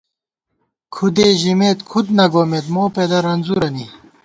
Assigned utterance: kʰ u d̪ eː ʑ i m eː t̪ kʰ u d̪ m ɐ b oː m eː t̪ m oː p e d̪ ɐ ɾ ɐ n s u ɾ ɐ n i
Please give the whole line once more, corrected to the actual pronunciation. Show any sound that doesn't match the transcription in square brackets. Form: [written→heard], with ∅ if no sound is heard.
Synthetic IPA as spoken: kʰ u d̪ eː ʑ i m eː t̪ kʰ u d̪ [m→n] ɐ [b→ɡ] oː m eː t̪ m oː p e d̪ ɐ ɾ ɐ n [s→z] u ɾ ɐ n i